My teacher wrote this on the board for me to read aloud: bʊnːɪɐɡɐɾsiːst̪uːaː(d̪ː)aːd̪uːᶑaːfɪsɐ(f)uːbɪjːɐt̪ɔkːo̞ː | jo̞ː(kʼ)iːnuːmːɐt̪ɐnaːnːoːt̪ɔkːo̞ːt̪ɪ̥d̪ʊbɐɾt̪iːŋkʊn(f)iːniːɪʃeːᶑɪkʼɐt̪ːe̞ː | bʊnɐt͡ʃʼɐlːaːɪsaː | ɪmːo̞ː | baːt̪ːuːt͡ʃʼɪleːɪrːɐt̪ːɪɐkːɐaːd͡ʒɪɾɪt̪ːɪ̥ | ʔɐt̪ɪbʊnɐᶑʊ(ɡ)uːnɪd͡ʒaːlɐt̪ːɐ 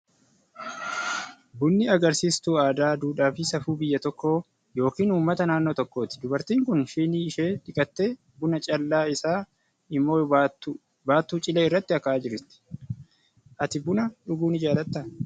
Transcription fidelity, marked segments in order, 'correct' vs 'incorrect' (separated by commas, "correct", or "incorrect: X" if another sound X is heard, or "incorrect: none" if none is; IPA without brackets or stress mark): incorrect: d̪, correct, incorrect: k, incorrect: ʃ, correct